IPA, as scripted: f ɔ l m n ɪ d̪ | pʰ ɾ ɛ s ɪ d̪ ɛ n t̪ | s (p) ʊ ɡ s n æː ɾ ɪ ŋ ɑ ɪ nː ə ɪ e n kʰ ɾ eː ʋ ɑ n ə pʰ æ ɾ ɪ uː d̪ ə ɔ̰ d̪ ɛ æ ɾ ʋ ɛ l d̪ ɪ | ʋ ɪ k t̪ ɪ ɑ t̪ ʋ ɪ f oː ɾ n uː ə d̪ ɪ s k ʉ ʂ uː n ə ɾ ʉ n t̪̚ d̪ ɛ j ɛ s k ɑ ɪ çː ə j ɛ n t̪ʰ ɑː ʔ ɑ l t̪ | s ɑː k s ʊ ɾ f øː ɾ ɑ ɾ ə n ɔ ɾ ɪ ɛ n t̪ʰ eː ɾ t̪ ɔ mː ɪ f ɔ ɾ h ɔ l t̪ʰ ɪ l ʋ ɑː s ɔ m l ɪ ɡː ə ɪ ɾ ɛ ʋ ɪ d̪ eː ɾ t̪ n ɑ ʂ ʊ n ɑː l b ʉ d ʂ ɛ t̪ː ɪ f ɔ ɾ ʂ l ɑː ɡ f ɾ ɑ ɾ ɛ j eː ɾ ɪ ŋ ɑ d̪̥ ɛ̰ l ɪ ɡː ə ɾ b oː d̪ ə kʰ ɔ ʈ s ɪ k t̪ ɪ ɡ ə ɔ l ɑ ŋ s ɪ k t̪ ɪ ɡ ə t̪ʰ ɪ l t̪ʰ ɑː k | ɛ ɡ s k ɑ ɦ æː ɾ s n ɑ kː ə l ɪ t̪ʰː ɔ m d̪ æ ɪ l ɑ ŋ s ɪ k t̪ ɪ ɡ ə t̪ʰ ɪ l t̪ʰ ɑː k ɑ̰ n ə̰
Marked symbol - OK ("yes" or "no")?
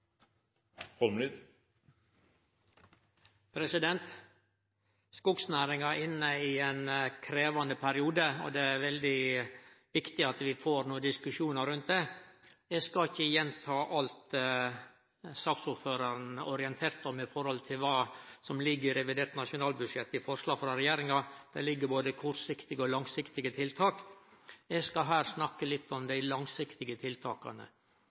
no